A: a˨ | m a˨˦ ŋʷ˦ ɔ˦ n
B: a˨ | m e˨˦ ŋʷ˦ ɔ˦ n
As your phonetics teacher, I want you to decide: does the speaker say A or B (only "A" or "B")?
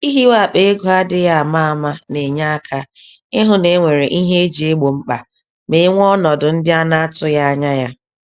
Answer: B